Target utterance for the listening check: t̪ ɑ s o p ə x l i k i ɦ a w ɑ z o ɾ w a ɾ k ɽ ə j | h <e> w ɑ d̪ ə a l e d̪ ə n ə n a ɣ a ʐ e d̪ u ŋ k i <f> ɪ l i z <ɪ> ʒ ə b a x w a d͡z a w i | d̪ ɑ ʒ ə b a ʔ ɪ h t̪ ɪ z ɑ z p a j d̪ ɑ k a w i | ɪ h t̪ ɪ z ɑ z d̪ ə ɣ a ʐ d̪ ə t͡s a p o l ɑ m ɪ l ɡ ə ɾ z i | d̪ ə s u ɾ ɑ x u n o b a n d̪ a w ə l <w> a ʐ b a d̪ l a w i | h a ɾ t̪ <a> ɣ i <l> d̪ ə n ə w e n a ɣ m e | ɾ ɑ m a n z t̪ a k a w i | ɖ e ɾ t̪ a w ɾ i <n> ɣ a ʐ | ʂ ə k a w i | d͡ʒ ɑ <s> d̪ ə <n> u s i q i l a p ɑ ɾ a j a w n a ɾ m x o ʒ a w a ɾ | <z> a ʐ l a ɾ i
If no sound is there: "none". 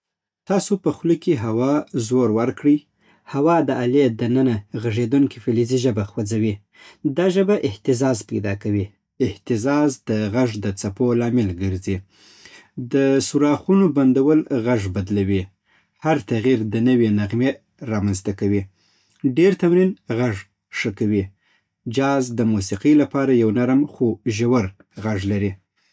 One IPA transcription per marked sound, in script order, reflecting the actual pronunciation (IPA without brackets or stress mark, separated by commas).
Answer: a, f, i, ɣ, a, ɾ, n, z, m, ɣ